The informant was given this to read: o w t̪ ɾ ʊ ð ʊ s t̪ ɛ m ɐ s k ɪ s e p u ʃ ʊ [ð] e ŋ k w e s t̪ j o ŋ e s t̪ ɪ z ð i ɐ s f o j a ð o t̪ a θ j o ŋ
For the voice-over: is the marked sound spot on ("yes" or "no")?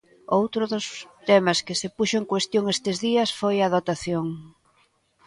no